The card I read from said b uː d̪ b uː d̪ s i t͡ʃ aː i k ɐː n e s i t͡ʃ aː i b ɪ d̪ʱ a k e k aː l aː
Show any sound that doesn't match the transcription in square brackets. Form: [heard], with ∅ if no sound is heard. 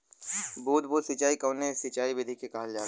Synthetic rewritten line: b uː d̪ b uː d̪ s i t͡ʃ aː i k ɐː n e s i t͡ʃ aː i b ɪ d̪ʱ [i] k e k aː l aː